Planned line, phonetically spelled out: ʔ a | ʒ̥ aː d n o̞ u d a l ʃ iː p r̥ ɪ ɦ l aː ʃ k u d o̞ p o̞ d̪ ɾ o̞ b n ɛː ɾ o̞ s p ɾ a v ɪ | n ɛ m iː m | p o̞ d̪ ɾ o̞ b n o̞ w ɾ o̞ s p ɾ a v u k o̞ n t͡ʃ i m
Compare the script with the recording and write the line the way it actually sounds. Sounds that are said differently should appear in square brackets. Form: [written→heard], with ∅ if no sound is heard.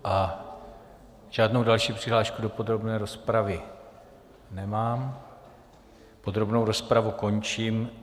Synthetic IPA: ʔ a | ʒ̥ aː d n o̞ [u→w] d a l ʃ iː p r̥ ɪ ɦ l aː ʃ k u d o̞ p o̞ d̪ ɾ o̞ b n ɛː ɾ o̞ s p ɾ a v ɪ | n ɛ m [iː→aː] m | p o̞ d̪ ɾ o̞ b n o̞ w ɾ o̞ s p ɾ a v u k o̞ n t͡ʃ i m

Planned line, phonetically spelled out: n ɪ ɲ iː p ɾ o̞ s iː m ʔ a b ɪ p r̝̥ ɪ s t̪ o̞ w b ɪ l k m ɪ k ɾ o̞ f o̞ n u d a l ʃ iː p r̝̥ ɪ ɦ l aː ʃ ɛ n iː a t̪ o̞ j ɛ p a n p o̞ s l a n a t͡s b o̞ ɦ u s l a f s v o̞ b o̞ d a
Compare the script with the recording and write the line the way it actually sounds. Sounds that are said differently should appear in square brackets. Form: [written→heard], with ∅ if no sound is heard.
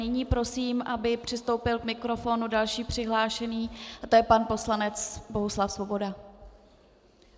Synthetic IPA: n ɪ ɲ iː p ɾ o̞ s iː m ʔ a b ɪ p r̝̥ ɪ s t̪ o̞ w [b→p] ɪ l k m ɪ k ɾ o̞ f o̞ n u d a l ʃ iː p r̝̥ ɪ ɦ l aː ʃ ɛ n iː a t̪ o̞ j ɛ p a n p o̞ s l a n [a→ɛ] t͡s b o̞ ɦ u s l a f s v o̞ b o̞ d a

